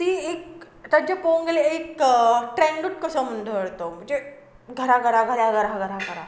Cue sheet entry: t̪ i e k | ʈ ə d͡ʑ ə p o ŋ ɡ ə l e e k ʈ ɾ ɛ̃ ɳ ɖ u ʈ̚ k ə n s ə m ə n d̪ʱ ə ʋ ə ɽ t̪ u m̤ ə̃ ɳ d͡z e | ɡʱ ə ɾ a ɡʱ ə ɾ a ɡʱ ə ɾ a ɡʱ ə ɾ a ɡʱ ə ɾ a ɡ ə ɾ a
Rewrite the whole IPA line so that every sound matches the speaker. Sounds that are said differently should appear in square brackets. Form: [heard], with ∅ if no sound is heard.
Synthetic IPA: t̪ i e k | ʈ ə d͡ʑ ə p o ŋ ɡ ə l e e k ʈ ɾ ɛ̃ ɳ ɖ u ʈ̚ k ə [∅] s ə m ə n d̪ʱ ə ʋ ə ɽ t̪ [o] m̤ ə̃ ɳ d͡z e | ɡʱ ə ɾ a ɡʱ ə ɾ a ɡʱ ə ɾ a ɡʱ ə ɾ a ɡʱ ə ɾ a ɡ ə ɾ a